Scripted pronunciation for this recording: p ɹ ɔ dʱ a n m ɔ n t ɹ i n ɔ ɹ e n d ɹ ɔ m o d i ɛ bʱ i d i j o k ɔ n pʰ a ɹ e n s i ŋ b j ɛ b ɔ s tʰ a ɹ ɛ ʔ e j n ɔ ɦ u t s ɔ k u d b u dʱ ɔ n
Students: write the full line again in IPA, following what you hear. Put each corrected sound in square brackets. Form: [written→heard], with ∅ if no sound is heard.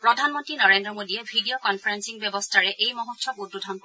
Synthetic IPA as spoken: p ɹ ɔ dʱ a n m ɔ n t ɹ i n ɔ ɹ e n d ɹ ɔ m o d i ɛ bʱ i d i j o k ɔ n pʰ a ɹ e n s i ŋ b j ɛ b ɔ s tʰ a ɹ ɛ ʔ e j [n→m] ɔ ɦ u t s ɔ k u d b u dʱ ɔ n